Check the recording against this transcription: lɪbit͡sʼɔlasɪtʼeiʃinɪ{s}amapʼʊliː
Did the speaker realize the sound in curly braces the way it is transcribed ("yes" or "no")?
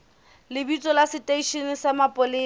yes